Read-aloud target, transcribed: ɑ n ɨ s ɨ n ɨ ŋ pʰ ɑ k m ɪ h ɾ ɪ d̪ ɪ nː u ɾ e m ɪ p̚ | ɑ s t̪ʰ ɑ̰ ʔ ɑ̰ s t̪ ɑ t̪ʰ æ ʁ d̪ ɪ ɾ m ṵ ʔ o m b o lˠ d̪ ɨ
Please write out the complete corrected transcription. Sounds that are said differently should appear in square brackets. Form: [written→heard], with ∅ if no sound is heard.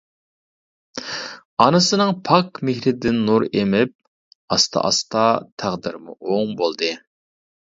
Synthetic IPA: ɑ n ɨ s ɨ n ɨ ŋ pʰ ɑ k m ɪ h ɾ ɪ d̪ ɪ nː u ɾ e m ɪ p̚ | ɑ s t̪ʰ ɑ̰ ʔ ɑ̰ s t̪ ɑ t̪ʰ æ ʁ d̪ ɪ ɾ m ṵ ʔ o [m→ŋ] b o lˠ d̪ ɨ